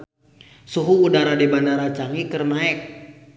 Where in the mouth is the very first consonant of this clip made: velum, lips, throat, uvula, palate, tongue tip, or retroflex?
tongue tip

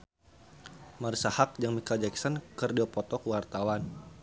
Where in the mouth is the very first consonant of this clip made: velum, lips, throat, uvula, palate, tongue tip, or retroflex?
lips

